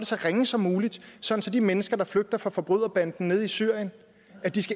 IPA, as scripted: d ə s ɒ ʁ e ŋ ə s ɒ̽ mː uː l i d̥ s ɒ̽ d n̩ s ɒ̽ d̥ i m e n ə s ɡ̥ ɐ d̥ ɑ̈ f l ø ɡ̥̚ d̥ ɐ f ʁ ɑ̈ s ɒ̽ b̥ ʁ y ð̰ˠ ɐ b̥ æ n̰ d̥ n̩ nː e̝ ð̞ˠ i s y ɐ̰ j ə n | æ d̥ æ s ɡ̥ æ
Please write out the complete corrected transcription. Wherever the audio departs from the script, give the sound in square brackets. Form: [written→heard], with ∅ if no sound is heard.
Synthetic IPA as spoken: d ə s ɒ ʁ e ŋ ə s ɒ̽ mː uː l i d̥ s ɒ̽ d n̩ s ɒ̽ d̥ i m e n ə s ɡ̥ ɐ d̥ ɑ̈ f l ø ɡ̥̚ d̥ ɐ f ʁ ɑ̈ [s→f] ɒ̽ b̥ ʁ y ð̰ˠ ɐ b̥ æ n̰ d̥ n̩ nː e̝ ð̞ˠ i s y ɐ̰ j ə n | æ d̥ [æ→i] s ɡ̥ æ